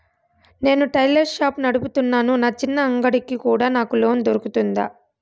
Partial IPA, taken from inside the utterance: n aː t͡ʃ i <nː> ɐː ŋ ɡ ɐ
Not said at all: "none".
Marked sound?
nː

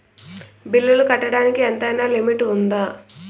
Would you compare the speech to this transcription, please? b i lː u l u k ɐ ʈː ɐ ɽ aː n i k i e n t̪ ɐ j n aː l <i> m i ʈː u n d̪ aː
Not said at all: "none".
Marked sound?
i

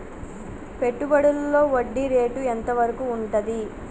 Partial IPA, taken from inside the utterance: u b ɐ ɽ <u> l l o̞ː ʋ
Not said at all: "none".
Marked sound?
u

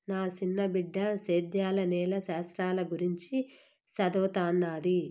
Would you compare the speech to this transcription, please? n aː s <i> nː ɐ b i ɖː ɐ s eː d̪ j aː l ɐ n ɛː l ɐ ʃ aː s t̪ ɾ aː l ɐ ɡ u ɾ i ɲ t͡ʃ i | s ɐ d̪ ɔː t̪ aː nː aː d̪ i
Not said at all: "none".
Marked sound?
i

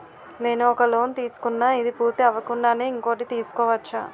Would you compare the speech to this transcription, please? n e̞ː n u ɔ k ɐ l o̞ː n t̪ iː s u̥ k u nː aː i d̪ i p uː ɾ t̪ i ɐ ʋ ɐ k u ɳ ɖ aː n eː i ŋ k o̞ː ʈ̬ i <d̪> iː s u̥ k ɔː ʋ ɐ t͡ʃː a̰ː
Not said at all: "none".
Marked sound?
t̪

